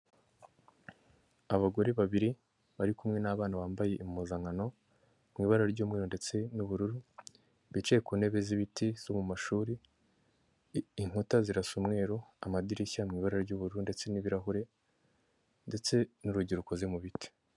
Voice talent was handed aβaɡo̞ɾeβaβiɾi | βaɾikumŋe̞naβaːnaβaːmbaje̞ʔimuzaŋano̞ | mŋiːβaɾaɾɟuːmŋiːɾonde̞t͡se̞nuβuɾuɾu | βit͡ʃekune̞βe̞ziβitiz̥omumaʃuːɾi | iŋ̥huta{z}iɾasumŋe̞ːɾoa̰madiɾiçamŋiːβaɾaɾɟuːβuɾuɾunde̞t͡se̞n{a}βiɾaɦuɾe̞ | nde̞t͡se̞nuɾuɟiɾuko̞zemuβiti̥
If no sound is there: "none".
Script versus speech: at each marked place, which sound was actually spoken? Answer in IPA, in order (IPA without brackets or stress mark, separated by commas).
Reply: z, i